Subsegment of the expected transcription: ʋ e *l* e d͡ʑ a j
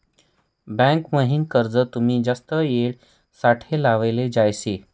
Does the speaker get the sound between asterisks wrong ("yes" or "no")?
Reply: no